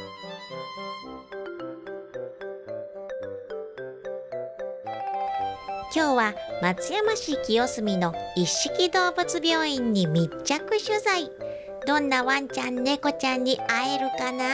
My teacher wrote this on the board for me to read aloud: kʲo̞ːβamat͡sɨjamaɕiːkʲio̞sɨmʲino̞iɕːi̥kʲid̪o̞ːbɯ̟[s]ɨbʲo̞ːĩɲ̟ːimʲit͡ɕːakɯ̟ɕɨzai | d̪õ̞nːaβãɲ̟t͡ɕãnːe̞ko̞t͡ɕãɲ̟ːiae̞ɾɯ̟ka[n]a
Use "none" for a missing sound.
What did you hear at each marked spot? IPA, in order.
t͡s, n

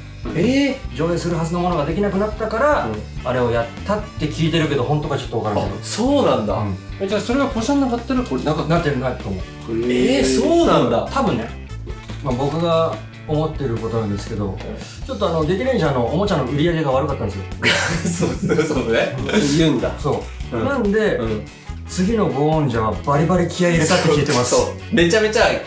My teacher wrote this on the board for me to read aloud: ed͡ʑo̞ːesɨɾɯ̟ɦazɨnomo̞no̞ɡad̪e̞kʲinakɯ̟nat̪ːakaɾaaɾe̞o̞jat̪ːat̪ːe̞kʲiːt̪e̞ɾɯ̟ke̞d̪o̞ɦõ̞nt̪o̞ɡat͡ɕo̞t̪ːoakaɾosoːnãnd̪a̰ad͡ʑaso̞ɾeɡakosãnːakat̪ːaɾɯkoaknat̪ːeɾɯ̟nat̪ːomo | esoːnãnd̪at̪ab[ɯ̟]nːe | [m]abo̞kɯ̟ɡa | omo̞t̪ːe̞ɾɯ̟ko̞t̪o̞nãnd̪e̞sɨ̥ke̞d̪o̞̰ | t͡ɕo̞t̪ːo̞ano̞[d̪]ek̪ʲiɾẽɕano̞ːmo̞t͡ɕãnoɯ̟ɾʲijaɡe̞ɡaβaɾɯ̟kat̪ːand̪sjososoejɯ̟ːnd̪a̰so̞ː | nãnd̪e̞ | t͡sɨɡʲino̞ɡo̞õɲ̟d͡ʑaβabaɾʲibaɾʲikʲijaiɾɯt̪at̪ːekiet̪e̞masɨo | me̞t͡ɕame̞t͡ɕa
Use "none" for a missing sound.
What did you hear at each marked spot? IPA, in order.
ɯ̟̃, m, d̪

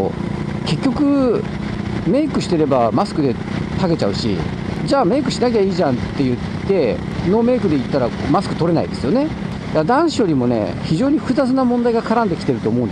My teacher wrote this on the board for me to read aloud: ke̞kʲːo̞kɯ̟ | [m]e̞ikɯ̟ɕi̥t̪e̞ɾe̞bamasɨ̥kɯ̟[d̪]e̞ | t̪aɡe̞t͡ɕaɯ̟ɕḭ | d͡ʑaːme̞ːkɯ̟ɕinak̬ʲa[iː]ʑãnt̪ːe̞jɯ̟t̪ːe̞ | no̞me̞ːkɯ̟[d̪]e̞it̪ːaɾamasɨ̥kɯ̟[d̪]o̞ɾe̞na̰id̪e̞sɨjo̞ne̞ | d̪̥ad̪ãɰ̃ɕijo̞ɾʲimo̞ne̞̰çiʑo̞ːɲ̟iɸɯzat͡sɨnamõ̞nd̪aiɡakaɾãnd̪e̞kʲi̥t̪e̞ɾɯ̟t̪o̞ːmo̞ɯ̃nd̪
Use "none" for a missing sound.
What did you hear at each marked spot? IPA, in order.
m, d̪, iː, d̪, t̪

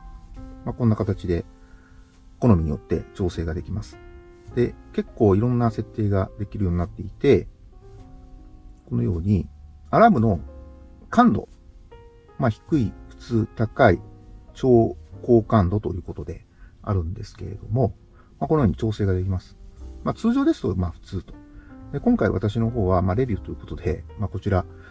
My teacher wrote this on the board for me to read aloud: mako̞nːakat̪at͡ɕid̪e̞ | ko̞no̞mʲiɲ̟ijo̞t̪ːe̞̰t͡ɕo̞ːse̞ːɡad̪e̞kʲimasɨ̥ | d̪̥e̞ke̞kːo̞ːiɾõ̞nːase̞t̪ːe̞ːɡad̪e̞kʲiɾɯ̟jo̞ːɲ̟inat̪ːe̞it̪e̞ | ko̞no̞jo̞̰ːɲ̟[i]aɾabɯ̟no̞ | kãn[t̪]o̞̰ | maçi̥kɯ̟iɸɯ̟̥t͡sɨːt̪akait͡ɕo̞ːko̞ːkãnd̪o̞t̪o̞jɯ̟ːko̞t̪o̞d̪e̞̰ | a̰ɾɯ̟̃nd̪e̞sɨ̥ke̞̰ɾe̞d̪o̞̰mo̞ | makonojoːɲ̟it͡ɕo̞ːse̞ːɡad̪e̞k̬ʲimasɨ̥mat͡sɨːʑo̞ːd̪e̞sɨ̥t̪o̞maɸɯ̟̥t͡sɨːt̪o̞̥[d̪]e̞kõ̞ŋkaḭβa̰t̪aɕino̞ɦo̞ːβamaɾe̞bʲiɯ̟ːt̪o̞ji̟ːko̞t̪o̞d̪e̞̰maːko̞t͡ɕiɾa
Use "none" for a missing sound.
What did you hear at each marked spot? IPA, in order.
i, d̪, d̪

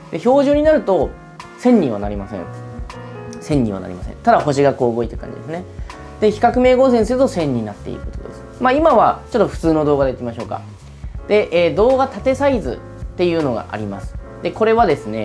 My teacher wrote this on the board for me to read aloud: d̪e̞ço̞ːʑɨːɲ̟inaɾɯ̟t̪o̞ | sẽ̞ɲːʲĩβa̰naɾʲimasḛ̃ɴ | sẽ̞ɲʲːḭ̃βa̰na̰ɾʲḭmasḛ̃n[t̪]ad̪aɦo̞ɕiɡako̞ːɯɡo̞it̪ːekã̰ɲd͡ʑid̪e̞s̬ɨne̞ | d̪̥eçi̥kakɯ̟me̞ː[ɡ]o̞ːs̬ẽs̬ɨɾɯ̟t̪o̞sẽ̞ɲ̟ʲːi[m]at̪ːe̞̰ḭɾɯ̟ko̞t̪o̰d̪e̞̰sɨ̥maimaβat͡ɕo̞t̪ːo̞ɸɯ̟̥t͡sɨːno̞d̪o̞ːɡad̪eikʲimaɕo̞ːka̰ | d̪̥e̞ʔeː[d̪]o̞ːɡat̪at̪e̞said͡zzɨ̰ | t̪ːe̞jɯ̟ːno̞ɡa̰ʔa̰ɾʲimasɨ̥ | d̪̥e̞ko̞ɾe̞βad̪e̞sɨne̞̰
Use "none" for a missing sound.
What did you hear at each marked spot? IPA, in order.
t̪, ɡ, n, d̪

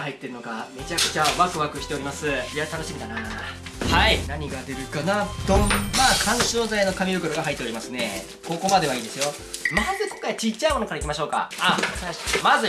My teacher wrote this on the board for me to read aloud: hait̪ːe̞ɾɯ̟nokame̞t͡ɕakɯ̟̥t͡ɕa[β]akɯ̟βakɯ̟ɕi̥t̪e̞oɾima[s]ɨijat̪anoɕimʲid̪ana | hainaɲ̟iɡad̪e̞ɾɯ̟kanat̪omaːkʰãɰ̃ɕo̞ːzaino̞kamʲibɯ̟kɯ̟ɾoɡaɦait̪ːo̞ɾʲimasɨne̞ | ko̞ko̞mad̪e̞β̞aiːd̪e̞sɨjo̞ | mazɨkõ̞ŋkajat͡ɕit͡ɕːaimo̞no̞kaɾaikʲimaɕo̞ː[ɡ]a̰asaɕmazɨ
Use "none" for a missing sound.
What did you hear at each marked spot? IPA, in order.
β, s, k

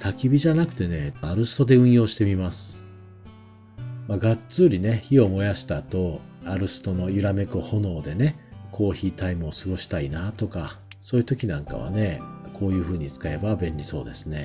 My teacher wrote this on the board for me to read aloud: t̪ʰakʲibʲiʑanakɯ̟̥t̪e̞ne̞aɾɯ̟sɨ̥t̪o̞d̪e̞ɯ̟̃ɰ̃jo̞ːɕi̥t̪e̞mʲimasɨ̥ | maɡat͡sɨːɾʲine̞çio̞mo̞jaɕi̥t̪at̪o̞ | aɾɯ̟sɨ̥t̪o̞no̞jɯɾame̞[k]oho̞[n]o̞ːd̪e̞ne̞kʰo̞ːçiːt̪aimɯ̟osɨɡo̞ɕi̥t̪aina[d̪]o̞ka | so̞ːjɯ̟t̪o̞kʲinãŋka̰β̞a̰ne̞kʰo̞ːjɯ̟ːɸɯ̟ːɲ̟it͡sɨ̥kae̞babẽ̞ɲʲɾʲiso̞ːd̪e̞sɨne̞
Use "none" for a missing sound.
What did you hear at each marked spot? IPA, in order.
k, n, t̪

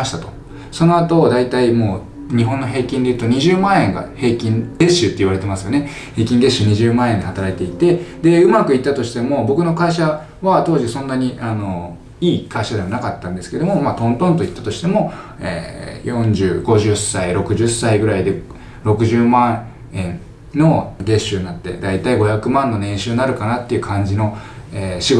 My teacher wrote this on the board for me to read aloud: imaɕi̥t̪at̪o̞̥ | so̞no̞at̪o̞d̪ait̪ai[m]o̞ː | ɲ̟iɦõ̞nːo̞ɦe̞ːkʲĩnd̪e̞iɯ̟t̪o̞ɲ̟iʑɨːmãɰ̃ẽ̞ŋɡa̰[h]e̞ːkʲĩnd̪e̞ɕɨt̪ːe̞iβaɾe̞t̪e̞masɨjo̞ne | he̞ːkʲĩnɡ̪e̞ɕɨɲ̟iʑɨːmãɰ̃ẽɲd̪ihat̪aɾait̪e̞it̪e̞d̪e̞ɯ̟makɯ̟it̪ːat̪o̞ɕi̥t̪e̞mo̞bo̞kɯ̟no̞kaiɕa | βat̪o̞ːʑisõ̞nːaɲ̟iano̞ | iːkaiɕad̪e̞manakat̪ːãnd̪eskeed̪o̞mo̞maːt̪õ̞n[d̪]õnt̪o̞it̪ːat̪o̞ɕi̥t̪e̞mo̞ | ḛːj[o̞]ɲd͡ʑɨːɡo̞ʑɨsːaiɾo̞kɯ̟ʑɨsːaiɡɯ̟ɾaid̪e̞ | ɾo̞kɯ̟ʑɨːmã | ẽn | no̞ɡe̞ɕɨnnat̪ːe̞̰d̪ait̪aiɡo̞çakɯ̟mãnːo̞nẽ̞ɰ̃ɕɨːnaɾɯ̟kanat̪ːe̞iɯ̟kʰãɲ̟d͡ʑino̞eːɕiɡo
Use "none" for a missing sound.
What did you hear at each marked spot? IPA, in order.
m, h, t̪, õ̞

